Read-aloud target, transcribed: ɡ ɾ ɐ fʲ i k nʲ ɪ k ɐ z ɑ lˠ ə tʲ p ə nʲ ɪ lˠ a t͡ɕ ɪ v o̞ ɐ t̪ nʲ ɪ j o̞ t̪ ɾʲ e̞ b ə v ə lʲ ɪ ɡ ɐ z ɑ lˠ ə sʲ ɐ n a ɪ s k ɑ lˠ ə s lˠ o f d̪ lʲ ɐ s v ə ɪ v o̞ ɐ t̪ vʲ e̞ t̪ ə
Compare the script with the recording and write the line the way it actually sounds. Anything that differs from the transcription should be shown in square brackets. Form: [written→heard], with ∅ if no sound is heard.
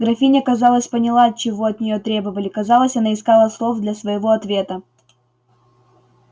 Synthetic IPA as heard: ɡ ɾ ɐ fʲ i [k→∅] nʲ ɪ k ɐ z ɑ lˠ ə [tʲ→sʲ] p ə nʲ ɪ lˠ a t͡ɕ ɪ v o̞ ɐ t̪ nʲ ɪ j o̞ t̪ ɾʲ e̞ b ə v ə lʲ ɪ [ɡ→k] ɐ z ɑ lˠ ə sʲ ɐ n a ɪ s k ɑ lˠ ə s lˠ o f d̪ lʲ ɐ s v ə ɪ v o̞ ɐ t̪ vʲ e̞ t̪ ə